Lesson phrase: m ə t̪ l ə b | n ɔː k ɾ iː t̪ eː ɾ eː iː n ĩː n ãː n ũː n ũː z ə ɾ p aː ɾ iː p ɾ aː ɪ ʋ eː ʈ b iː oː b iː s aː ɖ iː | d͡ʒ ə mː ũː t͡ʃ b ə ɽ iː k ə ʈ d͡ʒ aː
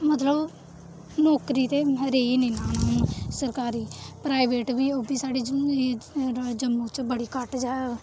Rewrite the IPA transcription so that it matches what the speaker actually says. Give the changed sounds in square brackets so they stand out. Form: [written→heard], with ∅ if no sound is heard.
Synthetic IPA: m ə t̪ l ə b | n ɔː k ɾ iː t̪ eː ɾ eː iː n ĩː n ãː n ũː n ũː [z→s] ə ɾ [p→k] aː ɾ iː p ɾ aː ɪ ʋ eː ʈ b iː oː b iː s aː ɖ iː | d͡ʒ ə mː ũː t͡ʃ b ə ɽ iː k ə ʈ d͡ʒ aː